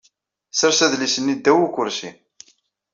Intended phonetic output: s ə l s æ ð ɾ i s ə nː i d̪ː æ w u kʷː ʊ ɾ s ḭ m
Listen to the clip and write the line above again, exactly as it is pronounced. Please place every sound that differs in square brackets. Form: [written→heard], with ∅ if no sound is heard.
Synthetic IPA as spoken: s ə [l→ɾ] s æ ð [ɾ→l] i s ə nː i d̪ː æ w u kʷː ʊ ɾ s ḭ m